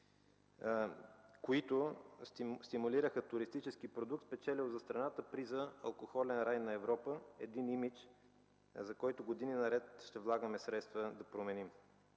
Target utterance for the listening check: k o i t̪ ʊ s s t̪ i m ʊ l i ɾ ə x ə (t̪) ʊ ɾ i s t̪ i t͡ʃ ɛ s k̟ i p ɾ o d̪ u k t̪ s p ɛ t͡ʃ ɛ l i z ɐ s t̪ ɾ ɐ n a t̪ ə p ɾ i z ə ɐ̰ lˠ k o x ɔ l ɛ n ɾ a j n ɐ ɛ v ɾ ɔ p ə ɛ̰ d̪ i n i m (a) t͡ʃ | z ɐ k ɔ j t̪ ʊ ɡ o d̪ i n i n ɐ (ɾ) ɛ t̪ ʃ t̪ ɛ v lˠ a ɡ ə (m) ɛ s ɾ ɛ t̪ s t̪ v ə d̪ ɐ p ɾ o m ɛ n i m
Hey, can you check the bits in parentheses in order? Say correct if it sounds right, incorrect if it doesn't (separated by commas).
correct, incorrect, correct, correct